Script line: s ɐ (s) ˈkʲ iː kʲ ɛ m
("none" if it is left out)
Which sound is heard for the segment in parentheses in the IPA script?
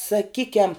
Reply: none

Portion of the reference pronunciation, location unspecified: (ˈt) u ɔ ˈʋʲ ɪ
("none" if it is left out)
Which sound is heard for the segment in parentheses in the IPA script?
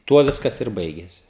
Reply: t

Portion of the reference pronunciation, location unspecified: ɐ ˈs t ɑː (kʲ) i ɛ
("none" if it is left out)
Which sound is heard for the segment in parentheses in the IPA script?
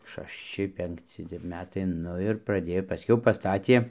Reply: tʲ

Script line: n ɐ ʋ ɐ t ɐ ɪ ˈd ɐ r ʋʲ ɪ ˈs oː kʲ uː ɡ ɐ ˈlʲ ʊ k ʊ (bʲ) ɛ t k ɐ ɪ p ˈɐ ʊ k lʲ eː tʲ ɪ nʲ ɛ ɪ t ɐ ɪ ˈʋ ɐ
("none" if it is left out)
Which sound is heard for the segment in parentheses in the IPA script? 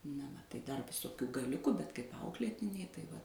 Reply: bʲ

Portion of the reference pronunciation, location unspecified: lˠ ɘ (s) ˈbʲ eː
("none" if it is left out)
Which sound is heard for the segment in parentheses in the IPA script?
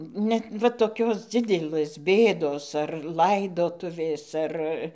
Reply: s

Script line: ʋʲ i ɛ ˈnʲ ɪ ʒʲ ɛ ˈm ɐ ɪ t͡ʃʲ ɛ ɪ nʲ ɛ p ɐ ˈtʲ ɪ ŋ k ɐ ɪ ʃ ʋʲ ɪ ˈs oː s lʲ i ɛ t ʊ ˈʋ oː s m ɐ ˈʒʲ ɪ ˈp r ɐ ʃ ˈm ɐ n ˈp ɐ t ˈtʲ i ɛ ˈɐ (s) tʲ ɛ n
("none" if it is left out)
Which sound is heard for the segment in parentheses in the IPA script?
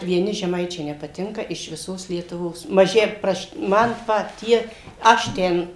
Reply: ʃ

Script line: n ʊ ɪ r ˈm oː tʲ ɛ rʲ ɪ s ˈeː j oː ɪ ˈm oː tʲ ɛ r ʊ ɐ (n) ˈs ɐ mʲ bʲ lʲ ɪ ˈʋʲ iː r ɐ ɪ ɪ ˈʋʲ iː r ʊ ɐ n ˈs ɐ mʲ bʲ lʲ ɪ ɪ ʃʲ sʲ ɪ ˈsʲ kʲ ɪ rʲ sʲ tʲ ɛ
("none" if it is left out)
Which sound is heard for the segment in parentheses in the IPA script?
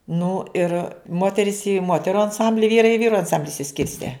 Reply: n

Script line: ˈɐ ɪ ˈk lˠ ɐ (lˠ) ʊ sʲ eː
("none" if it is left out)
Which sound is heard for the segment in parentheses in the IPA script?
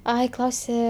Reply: none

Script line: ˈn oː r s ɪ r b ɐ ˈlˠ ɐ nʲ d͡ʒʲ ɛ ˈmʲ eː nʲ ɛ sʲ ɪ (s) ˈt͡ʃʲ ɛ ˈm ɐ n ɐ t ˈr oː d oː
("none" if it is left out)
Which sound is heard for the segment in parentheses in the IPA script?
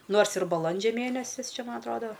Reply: s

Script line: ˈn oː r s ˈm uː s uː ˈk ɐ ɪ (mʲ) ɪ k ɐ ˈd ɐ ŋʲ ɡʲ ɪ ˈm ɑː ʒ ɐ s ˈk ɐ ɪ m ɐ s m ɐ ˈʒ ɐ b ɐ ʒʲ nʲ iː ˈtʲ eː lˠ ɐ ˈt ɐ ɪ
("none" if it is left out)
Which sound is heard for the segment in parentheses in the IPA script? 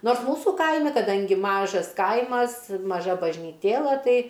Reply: mʲ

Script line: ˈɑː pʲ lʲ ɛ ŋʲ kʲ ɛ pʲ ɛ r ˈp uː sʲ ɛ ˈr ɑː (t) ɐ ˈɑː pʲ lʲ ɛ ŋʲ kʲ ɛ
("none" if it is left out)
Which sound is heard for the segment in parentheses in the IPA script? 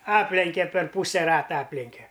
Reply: t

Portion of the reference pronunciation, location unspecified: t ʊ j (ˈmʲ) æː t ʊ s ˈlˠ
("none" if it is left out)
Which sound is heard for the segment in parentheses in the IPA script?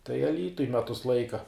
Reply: mʲ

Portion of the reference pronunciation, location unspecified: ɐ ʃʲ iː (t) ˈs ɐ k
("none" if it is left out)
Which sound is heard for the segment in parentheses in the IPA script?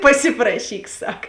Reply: k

